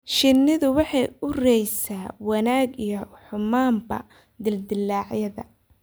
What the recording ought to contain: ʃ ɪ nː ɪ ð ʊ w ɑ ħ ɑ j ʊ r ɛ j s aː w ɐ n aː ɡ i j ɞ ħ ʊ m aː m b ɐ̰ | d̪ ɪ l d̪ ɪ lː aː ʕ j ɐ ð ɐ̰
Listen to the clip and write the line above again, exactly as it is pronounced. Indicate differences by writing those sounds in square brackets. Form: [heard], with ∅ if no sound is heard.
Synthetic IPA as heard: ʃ ɪ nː ɪ ð ʊ w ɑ ħ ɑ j ʊ r ɛ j s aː w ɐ n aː ɡ i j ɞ ħ ʊ m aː m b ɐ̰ | d̪ ɪ l d̪ ɪ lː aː ʕ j ɐ ð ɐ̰

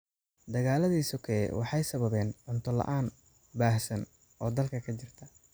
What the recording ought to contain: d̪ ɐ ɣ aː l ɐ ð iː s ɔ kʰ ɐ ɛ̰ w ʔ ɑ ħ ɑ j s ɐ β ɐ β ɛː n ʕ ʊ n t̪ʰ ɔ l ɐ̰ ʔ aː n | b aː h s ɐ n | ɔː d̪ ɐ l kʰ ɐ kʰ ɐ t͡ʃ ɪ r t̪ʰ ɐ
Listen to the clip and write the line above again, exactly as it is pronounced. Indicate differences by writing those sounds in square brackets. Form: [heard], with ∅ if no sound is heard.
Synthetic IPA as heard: d̪ ɐ ɣ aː l ɐ ð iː s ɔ kʰ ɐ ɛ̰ w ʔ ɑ ħ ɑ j s ɐ β ɐ β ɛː n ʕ ʊ n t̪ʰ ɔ l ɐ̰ ʔ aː n | b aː h s ɐ n | ɔː d̪ ɐ l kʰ ɐ kʰ ɐ t͡ʃ ɪ r t̪ʰ ɐ

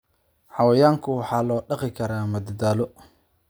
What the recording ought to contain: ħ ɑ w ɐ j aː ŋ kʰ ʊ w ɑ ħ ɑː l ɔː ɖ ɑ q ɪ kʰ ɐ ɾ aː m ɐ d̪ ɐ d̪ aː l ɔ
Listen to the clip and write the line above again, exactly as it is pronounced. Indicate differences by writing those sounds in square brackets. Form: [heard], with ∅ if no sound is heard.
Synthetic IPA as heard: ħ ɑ w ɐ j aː ŋ kʰ ʊ w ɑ ħ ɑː l ɔː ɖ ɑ q ɪ kʰ ɐ ɾ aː m ɐ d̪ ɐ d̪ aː l ɔ

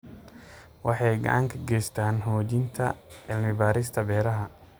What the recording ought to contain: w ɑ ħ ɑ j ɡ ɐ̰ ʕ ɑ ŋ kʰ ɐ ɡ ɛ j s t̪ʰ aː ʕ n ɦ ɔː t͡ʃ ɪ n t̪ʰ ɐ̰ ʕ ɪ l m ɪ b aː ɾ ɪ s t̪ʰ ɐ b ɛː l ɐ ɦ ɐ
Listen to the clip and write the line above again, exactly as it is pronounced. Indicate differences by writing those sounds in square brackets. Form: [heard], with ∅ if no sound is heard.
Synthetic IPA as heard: w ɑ ħ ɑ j ɡ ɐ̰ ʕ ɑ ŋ kʰ ɐ ɡ ɛ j s t̪ʰ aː [∅] n ɦ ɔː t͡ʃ ɪ n t̪ʰ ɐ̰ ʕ ɪ l m ɪ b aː ɾ ɪ s t̪ʰ ɐ b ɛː [ɾ] ɐ ɦ ɐ

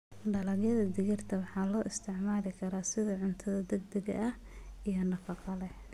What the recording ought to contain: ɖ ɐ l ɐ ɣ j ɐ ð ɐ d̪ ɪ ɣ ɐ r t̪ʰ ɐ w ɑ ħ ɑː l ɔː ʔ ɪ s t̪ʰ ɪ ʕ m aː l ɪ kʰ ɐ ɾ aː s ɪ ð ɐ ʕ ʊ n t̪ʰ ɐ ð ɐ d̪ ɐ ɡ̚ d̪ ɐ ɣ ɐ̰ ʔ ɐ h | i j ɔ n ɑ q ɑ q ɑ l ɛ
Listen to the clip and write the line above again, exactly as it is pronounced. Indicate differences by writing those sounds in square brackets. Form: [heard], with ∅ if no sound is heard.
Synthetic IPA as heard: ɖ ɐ l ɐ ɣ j ɐ ð ɐ d̪ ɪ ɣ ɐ r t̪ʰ ɐ w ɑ ħ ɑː l ɔː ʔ ɪ s t̪ʰ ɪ ʕ m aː l ɪ kʰ ɐ ɾ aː s ɪ ð ɐ ʕ ʊ n t̪ʰ ɐ ð ɐ d̪ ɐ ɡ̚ d̪ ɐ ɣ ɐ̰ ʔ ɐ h | i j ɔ n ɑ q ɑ q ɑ l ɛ

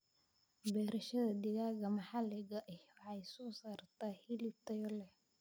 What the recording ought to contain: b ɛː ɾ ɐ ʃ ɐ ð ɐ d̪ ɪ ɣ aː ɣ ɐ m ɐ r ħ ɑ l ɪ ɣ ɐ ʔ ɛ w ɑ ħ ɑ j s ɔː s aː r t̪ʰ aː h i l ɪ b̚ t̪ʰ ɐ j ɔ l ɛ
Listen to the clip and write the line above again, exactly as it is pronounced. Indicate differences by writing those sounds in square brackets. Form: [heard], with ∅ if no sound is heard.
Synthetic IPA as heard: b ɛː ɾ ɐ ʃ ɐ ð ɐ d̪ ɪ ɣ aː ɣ ɐ m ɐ [∅] ħ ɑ l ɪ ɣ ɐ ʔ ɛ w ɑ ħ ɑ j s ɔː s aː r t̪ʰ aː h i l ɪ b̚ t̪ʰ ɐ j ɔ l ɛ

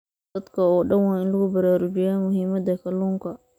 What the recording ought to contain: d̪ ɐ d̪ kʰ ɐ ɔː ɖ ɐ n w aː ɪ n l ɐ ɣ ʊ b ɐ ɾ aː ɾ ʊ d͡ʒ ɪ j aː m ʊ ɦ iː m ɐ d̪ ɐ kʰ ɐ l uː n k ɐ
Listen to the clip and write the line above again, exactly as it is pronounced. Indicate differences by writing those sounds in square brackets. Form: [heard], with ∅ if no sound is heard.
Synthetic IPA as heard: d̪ ɐ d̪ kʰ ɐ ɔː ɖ ɐ n w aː ɪ n l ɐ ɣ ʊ b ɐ ɾ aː ɾ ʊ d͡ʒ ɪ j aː m ʊ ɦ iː m ɐ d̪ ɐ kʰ ɐ l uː [ŋ] k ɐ

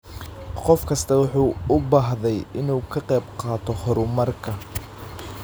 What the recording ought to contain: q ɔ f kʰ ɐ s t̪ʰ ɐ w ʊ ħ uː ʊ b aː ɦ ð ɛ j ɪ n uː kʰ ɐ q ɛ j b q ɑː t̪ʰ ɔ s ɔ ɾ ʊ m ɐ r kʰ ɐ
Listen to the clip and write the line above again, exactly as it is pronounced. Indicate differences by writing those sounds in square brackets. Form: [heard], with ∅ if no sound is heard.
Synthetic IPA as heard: q ɔ f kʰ ɐ s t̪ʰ ɐ w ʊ ħ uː ʊ b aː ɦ ð ɛ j ɪ n uː kʰ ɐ q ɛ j b q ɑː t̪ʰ ɔ [h] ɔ ɾ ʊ m ɐ r kʰ ɐ

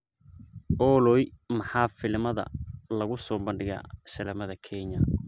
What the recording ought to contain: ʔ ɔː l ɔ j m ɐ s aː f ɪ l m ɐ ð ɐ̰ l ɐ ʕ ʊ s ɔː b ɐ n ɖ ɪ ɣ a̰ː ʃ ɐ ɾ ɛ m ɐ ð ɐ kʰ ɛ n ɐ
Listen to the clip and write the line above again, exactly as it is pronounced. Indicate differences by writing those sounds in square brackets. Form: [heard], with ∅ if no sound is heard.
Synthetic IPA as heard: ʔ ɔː l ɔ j m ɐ [ħ] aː f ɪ l m ɐ ð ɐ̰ l ɐ [ɣ] ʊ s ɔː b ɐ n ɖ ɪ ɣ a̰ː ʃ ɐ [l] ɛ m ɐ ð ɐ kʰ ɛ [ɲ] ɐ

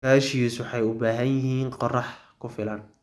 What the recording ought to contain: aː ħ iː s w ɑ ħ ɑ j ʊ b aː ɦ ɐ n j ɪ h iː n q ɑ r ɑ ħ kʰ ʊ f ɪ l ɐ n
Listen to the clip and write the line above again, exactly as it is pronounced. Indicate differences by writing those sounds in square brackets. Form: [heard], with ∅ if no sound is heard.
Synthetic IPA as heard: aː [ʃ] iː s w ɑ ħ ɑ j ʊ b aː ɦ ɐ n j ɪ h iː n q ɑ r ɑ ħ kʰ ʊ f ɪ l ɐ n

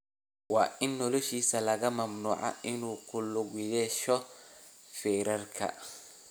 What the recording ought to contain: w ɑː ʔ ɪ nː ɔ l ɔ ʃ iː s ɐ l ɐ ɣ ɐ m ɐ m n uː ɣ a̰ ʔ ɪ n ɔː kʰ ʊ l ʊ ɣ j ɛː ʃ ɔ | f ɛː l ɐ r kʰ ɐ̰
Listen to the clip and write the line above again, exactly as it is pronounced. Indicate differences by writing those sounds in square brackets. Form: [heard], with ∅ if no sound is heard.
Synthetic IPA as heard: w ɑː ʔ ɪ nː ɔ l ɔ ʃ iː s ɐ l ɐ ɣ ɐ m ɐ m n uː [ʕ] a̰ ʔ ɪ n [uː] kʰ ʊ l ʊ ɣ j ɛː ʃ ɔ | f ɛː [ɾ] ɐ r kʰ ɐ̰

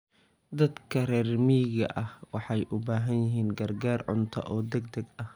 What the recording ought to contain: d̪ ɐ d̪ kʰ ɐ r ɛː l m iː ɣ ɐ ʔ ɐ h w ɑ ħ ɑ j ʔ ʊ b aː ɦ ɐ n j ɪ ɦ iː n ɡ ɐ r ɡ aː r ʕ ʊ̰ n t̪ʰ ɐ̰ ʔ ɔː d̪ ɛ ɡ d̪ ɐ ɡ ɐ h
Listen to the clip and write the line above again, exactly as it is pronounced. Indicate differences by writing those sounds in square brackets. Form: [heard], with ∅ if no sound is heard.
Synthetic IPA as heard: d̪ ɐ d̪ kʰ ɐ r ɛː [r] m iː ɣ ɐ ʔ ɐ h w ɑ ħ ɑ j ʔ ʊ b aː ɦ ɐ n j ɪ ɦ iː n ɡ ɐ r ɡ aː r ʕ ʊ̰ n t̪ʰ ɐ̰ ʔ ɔː d̪ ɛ ɡ d̪ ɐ ɡ ɐ h

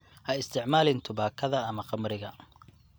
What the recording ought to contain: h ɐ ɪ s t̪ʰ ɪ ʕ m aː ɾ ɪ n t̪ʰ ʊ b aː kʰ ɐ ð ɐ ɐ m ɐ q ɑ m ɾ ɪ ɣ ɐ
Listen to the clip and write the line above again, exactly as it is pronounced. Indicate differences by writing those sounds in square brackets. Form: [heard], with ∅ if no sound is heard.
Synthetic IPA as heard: h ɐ ɪ s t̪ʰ ɪ ʕ m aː [l] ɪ n t̪ʰ ʊ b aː kʰ ɐ ð ɐ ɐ m ɐ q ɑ m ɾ ɪ ɣ ɐ

